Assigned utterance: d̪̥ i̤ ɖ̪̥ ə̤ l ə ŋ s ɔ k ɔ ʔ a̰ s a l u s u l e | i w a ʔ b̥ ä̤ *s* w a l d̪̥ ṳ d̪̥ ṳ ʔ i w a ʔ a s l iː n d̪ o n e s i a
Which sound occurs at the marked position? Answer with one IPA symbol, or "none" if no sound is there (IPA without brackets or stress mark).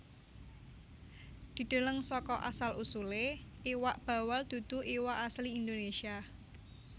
none